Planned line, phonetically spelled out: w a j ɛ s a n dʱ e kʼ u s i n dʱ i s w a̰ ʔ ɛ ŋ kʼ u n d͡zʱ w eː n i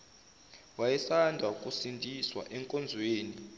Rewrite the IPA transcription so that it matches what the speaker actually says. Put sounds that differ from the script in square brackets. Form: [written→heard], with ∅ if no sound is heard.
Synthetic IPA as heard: w a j ɛ s a n dʱ [e→a] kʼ u s i n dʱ i s w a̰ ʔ ɛ ŋ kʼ [u→ɔ] n d͡zʱ w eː n i